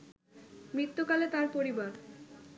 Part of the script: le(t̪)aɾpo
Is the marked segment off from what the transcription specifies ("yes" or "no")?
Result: no